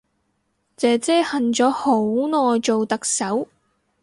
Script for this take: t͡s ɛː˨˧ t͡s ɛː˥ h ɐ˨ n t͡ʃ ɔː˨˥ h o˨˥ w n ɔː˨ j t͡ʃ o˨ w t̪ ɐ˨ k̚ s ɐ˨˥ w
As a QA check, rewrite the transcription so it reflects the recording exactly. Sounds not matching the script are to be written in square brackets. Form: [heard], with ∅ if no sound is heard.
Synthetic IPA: t͡s ɛː˨˧ t͡s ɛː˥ h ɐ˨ n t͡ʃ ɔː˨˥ h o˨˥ w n ɔː˨ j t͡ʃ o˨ w t̪ ɐ˨ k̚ s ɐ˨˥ w